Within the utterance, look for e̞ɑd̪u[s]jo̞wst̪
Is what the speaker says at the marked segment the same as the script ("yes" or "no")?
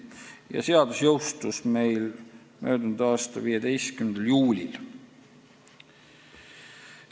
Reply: yes